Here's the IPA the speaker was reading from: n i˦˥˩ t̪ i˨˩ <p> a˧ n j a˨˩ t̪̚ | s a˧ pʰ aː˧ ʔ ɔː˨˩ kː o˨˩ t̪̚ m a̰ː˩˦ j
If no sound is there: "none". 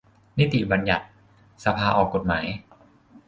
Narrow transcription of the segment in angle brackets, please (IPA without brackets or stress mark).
b